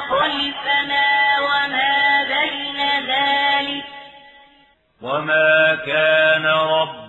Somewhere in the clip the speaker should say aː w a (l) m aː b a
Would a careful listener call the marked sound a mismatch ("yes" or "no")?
yes